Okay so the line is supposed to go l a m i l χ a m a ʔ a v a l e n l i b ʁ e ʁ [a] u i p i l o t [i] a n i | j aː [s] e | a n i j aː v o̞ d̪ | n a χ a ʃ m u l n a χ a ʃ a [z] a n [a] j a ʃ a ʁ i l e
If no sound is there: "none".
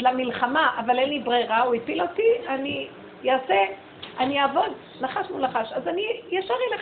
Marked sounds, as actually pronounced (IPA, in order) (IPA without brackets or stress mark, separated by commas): a, i, s, z, i